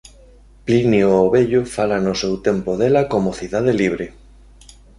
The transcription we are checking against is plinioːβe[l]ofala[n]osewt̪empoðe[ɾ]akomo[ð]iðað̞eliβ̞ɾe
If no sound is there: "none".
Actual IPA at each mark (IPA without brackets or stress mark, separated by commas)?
ʎ, n, l, θ